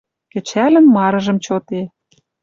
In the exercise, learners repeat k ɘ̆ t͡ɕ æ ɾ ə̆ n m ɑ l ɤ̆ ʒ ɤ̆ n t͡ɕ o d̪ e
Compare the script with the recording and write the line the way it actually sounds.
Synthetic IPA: k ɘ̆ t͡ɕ æ l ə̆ n m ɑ ɾ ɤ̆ ʒ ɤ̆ m t͡ɕ o t̪ e